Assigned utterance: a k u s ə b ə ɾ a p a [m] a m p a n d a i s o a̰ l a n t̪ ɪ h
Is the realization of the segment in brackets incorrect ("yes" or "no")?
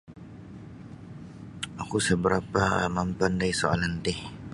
no